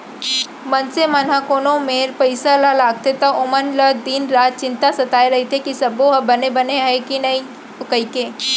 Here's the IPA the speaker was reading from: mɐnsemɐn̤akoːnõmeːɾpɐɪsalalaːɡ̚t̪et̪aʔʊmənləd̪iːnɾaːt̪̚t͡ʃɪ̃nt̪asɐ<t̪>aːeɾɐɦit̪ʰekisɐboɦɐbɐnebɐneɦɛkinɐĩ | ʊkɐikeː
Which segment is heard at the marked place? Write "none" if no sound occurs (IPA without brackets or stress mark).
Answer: t̪